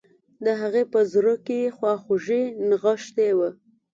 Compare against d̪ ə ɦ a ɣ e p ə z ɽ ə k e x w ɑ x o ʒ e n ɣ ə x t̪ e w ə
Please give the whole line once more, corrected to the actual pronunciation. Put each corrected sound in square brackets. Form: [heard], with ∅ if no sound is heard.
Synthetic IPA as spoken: d̪ ə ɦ a ɣ e p ə z [ɾ] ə k e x w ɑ x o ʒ e n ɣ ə [ʃ] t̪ e w ə